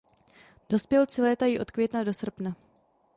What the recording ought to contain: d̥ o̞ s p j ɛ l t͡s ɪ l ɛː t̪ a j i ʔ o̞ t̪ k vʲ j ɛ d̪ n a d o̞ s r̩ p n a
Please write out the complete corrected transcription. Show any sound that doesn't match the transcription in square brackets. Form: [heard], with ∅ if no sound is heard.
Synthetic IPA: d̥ o̞ s p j ɛ l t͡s ɪ l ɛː t̪ a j i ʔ o̞ t̪ k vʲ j ɛ [t̪] n a d o̞ s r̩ p n a